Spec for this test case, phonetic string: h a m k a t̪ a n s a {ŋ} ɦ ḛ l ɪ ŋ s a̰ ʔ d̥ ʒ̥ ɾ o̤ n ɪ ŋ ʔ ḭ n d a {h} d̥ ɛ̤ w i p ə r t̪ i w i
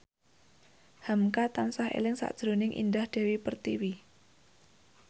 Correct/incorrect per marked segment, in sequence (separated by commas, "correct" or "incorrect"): incorrect, correct